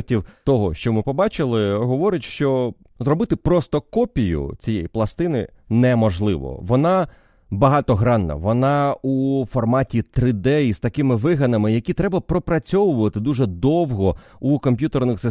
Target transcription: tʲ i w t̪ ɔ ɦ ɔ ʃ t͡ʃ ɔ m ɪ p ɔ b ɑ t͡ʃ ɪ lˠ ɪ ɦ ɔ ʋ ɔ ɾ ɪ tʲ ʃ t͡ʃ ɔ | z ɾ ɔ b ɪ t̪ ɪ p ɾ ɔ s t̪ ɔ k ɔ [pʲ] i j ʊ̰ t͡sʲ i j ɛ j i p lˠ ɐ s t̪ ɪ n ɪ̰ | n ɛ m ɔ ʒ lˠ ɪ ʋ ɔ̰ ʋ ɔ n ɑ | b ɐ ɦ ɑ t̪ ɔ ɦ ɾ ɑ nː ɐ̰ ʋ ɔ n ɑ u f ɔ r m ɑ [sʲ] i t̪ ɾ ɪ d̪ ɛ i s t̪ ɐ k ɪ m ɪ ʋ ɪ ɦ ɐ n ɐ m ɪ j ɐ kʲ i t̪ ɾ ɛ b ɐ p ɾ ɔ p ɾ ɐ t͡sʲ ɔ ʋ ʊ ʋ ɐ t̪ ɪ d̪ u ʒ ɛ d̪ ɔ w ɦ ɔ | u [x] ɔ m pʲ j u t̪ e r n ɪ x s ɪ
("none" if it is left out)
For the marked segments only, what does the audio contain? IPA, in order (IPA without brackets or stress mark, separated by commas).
pʲ, tʲ, k